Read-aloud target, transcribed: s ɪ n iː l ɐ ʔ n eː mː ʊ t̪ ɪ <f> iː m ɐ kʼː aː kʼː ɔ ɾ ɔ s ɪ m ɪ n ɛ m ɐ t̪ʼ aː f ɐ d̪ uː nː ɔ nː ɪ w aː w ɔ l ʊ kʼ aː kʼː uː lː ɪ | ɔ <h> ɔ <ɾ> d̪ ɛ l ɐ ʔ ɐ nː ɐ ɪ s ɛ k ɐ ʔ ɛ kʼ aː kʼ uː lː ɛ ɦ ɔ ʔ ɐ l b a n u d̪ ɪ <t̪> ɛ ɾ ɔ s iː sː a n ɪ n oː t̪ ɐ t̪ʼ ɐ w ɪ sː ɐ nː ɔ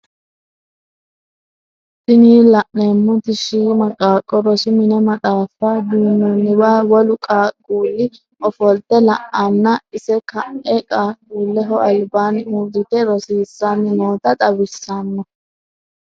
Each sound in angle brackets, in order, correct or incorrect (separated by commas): incorrect, incorrect, incorrect, correct